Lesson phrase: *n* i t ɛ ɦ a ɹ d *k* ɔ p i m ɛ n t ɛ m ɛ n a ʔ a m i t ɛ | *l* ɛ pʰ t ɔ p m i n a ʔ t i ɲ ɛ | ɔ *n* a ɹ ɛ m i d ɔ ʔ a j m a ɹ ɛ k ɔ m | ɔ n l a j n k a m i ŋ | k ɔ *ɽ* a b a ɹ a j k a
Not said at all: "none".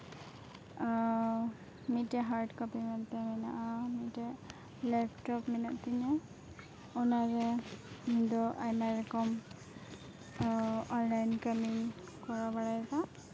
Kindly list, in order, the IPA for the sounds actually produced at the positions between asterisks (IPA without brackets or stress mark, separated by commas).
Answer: m, k, l, n, ɹ